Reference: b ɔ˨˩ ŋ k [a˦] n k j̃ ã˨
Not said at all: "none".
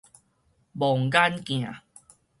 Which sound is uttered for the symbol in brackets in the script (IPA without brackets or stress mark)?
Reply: a˦